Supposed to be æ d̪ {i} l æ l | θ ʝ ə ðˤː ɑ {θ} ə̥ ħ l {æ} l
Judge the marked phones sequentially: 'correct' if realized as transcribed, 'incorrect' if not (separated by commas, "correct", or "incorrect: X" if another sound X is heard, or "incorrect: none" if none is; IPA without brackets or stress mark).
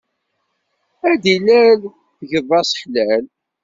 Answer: correct, incorrect: s, correct